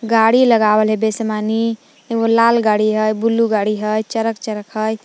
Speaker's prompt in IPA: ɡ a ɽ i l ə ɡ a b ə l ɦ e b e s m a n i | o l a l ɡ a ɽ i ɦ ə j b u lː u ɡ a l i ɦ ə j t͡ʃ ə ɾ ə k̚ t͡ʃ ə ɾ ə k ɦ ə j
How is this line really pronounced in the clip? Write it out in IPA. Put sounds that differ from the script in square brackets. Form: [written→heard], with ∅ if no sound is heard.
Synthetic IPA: ɡ a ɽ i l ə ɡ a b ə l ɦ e b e s m a n i | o l a l ɡ a ɽ i ɦ ə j b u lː u ɡ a [l→ɽ] i ɦ ə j t͡ʃ ə ɾ ə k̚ t͡ʃ ə ɾ ə k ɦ ə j